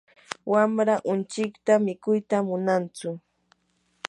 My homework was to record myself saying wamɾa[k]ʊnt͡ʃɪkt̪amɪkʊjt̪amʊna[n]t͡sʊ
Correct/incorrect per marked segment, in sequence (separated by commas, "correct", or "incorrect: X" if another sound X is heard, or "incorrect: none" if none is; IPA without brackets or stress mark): incorrect: ʔ, correct